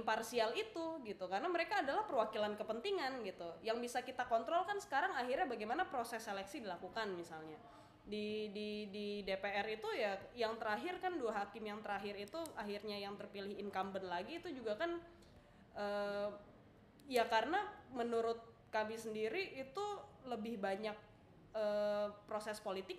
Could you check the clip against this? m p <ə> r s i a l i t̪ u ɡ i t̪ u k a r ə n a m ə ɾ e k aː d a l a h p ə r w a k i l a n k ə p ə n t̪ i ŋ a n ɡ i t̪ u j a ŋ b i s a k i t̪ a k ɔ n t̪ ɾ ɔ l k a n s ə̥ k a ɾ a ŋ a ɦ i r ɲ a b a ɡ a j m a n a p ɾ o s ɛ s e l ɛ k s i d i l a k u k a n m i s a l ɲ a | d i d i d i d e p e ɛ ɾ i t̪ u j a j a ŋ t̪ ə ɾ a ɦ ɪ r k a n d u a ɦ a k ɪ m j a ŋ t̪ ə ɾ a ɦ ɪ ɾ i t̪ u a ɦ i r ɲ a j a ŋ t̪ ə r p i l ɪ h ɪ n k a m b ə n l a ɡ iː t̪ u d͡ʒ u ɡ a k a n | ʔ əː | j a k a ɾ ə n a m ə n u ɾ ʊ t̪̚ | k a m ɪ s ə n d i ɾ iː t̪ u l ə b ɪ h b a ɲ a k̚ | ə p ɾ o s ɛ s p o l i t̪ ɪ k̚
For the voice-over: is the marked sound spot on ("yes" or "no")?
no